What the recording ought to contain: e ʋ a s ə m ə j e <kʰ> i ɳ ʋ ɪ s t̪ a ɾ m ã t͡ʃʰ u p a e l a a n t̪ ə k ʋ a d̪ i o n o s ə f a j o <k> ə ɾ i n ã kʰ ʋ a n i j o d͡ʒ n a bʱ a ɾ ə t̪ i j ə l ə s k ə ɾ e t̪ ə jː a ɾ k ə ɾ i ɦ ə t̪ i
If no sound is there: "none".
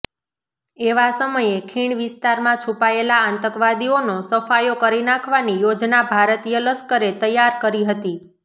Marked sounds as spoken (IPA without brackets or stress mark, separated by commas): kʰ, k